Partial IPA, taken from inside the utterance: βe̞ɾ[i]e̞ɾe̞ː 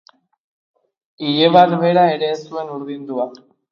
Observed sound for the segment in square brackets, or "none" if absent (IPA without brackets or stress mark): a